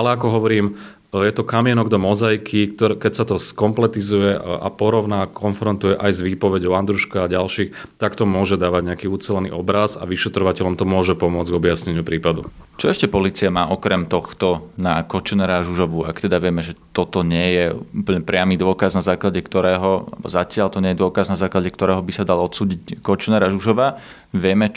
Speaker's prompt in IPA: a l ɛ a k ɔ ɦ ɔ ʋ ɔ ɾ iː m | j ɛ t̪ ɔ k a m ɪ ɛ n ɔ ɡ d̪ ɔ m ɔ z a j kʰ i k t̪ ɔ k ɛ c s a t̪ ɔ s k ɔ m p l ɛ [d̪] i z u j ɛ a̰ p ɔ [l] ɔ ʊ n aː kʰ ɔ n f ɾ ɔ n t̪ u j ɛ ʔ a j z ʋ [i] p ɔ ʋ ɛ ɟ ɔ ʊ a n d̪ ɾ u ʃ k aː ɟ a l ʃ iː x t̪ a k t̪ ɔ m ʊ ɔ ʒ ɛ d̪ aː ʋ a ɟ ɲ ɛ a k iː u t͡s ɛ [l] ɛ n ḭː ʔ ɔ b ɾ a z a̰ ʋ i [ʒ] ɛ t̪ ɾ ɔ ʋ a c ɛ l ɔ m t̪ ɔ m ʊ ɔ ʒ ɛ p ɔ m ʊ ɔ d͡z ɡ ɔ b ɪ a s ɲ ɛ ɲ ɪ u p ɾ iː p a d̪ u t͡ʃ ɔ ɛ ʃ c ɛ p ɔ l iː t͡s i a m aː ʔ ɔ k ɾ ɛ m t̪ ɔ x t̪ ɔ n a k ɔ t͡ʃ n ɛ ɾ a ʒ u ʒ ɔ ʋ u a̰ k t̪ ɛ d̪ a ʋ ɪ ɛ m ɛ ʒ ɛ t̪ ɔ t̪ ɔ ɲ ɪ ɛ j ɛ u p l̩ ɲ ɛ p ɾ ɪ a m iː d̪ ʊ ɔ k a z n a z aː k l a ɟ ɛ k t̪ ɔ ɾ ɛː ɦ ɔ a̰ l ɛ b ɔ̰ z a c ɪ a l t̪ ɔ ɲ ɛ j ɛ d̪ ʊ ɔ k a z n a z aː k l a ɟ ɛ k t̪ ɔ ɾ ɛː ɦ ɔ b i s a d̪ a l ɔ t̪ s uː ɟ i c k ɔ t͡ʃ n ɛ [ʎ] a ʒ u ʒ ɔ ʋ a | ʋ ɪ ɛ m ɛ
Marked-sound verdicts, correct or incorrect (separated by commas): incorrect, incorrect, incorrect, correct, incorrect, incorrect